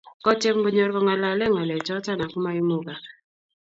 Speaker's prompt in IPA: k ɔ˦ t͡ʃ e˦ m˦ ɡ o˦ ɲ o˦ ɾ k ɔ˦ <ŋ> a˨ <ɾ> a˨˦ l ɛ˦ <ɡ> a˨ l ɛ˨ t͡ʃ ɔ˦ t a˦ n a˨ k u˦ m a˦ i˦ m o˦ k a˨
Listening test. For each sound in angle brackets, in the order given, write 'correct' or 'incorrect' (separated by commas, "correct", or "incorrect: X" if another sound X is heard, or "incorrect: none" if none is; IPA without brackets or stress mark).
correct, incorrect: l, incorrect: ŋ